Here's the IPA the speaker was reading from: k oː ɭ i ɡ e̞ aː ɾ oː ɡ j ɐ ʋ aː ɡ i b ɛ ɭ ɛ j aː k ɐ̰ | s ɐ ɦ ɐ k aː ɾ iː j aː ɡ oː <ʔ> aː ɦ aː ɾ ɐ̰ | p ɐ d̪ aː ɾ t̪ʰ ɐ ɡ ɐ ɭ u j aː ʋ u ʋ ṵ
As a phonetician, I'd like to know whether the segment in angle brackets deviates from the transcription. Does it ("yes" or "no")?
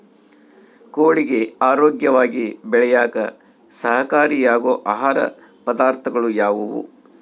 no